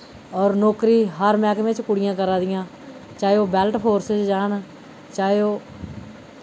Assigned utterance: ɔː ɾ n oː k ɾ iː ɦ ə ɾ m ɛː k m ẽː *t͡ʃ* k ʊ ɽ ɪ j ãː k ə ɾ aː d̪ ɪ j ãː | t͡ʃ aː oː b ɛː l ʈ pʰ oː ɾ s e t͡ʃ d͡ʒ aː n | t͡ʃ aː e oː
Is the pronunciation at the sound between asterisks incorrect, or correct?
correct